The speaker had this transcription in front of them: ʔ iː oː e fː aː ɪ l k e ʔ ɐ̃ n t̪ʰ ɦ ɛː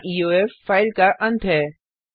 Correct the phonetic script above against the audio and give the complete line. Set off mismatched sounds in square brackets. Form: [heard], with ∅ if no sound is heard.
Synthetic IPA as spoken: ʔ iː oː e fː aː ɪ l k [a] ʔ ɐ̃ n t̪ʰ ɦ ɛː